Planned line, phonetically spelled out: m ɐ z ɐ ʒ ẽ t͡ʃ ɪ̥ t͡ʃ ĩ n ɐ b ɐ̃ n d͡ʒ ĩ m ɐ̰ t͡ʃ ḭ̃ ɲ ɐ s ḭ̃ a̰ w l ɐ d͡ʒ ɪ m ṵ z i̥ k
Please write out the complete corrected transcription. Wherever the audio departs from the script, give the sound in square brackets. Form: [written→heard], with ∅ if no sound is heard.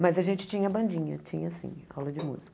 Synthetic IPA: m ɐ z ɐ ʒ ẽ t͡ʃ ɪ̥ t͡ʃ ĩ [n→ɲ] ɐ b ɐ̃ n d͡ʒ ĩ [m→ɲ] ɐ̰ t͡ʃ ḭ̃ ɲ ɐ s ḭ̃ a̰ w l ɐ d͡ʒ ɪ m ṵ z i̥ k